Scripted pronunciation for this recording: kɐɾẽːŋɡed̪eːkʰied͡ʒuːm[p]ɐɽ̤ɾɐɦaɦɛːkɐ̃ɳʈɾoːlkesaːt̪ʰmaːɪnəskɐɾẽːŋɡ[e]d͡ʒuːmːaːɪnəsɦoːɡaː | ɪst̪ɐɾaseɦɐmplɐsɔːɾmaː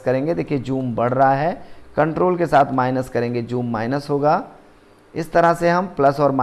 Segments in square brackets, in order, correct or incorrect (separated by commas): incorrect, correct